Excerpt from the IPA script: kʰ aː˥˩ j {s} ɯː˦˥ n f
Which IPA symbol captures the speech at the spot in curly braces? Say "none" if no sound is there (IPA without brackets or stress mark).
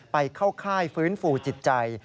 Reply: f